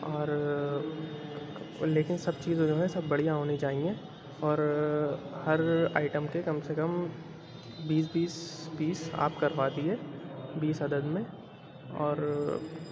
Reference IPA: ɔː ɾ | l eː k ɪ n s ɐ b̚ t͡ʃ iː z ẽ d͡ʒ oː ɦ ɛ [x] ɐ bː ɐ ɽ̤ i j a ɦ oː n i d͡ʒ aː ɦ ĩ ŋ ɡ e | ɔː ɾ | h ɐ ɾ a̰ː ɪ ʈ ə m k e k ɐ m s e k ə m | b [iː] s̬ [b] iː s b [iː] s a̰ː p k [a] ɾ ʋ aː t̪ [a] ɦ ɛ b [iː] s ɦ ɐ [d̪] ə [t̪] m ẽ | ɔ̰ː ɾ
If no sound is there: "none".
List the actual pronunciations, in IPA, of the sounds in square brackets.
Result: s, iː, b, iː, ɐ, i, iː, d̪, d̪

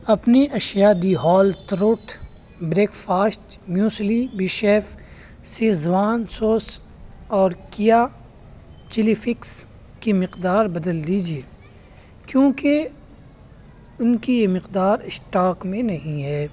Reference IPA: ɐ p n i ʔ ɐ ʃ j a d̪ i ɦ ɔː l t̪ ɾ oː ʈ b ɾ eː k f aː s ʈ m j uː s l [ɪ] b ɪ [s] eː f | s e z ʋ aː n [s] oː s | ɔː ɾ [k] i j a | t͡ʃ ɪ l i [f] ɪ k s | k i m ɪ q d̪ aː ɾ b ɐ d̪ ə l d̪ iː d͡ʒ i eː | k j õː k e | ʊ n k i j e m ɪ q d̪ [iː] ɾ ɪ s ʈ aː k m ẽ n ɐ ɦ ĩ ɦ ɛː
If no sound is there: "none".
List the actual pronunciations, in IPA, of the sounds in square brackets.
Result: i, ʃ, s, k, f, aː

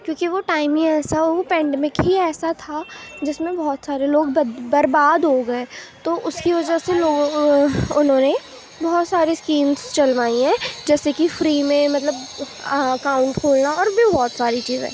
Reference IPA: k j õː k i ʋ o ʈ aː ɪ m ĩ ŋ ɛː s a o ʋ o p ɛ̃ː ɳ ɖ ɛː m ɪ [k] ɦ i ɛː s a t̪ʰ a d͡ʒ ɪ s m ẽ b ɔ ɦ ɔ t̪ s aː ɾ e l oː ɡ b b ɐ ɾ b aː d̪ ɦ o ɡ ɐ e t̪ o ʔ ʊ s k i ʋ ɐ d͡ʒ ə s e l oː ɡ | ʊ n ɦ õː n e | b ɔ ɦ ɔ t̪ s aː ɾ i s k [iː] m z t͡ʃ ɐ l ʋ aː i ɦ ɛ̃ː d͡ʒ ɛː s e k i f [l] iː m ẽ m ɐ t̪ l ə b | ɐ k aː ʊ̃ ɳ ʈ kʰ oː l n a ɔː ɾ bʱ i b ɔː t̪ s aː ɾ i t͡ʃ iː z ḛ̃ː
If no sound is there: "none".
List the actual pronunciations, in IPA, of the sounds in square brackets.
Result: k, iː, ɾ

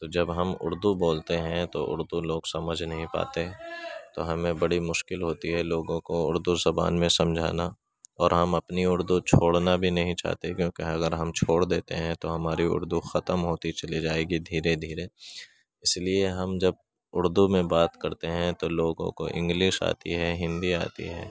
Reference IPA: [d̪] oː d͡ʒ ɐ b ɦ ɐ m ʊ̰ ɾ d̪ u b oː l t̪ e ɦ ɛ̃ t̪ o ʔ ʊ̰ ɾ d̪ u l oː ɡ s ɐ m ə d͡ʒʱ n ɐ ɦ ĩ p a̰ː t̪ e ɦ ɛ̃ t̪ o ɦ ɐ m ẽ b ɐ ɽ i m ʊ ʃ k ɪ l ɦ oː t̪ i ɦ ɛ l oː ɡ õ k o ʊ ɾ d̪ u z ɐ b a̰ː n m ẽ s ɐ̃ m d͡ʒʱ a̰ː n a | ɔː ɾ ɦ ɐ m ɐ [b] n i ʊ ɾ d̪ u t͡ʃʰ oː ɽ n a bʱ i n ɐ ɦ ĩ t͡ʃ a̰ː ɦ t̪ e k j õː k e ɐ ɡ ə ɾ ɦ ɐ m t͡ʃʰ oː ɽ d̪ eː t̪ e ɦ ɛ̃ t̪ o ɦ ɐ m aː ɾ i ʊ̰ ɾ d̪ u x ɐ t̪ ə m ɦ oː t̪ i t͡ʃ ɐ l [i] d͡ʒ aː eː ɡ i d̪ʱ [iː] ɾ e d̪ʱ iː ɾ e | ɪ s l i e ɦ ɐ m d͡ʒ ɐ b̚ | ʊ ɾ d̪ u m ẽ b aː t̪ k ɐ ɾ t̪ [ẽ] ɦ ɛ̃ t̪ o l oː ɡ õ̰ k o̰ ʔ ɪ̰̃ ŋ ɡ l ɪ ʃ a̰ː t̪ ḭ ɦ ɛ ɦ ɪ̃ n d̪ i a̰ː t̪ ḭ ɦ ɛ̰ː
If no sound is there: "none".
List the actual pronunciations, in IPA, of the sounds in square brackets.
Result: t̪, p, i, iː, e

